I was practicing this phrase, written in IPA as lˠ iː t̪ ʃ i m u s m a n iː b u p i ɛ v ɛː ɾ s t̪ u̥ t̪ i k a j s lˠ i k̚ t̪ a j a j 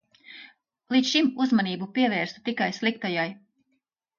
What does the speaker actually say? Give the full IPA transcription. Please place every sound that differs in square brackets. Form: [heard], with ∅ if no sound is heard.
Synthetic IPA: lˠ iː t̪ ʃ i m u [z] m a n iː b u p i ɛ v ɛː ɾ s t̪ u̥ t̪ i k a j s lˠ i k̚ t̪ a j a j